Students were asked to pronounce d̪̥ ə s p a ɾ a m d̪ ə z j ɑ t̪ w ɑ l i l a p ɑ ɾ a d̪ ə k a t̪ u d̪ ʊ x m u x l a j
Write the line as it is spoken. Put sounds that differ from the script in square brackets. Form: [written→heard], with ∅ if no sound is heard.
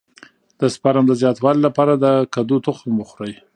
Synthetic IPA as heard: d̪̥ ə s p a ɾ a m d̪ ə z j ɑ t̪ w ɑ l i l a p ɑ ɾ a d̪ ə k a [t̪→d̪] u [d̪→t̪] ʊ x m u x [l→ɾ] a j